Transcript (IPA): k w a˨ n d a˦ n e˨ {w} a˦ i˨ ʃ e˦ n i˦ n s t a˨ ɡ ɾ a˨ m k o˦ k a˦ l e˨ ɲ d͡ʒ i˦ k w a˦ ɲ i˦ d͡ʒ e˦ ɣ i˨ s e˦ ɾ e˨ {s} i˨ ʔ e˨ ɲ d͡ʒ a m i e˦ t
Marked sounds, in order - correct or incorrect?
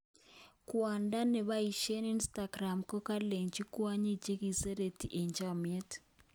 incorrect: β, incorrect: t

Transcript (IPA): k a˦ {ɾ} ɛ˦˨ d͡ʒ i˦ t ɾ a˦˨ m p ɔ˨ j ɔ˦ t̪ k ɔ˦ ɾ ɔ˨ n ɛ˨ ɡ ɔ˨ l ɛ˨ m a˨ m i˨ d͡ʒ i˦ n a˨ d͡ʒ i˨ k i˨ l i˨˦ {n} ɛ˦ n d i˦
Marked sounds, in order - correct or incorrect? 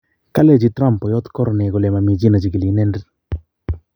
incorrect: l, correct

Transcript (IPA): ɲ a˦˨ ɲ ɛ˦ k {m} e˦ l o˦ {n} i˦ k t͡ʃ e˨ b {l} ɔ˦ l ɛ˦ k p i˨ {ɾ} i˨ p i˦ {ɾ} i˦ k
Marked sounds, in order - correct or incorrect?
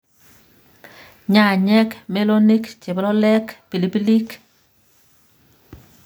correct, correct, correct, incorrect: l, incorrect: l

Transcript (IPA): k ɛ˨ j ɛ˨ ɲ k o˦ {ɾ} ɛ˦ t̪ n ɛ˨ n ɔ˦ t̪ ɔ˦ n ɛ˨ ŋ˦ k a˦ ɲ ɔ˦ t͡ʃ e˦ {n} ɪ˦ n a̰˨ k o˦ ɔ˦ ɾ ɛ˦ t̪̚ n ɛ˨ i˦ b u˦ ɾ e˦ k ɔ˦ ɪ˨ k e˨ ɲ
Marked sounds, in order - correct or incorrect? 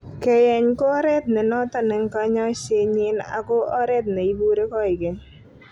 correct, incorrect: ɲ

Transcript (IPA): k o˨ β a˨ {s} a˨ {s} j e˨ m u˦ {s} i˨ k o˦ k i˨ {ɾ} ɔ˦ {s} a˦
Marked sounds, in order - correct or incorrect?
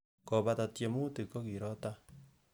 incorrect: t, incorrect: t, incorrect: t, correct, incorrect: t

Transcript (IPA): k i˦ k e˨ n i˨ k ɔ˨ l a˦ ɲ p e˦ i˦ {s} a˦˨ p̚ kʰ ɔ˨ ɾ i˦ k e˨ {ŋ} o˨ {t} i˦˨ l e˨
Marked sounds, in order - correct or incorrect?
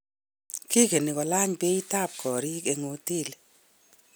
incorrect: t, correct, correct

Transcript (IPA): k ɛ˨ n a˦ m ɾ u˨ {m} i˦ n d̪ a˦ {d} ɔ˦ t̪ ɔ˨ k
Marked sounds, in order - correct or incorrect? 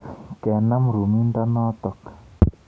correct, incorrect: n

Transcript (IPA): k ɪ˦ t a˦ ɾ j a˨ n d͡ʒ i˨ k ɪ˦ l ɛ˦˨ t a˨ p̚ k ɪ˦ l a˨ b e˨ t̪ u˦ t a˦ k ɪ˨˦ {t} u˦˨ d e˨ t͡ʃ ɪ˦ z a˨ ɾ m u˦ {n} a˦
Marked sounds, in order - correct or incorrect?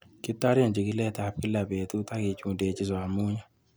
incorrect: t͡ʃ, incorrect: ɲ

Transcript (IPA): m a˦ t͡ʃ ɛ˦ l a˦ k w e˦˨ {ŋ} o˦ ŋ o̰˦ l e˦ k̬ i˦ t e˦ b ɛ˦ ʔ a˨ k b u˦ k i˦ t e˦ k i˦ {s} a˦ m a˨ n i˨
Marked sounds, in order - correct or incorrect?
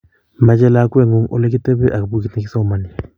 correct, correct

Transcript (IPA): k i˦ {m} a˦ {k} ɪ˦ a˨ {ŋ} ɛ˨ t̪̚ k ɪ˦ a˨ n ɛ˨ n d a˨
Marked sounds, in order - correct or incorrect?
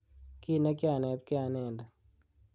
incorrect: n, correct, incorrect: n

